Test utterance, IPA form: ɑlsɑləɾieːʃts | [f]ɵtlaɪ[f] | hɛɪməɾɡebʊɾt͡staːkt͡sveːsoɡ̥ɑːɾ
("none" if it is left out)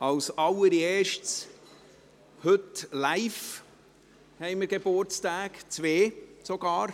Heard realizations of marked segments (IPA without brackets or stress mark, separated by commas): h, f